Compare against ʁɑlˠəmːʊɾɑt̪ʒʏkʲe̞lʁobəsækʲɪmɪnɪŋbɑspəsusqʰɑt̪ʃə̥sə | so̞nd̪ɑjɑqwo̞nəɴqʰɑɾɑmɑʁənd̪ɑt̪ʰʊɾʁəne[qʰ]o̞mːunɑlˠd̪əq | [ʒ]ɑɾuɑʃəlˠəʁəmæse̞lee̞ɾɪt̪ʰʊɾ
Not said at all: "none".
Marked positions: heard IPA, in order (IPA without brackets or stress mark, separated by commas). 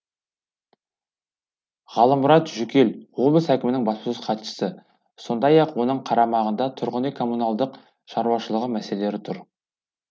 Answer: kʰ, ʃ